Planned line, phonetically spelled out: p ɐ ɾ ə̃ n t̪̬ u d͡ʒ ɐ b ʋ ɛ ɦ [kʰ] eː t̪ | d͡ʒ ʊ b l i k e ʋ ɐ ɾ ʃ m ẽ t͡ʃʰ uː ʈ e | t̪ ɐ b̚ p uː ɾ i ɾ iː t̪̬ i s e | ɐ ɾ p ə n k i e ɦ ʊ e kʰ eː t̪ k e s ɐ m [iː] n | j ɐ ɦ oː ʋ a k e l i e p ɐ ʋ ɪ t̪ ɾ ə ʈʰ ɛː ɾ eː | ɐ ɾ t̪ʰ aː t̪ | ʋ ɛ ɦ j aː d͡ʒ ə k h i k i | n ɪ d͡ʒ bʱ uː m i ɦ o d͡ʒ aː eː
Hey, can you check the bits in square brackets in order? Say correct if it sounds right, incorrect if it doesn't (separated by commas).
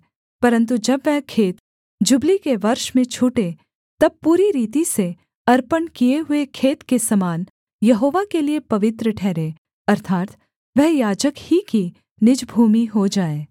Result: correct, incorrect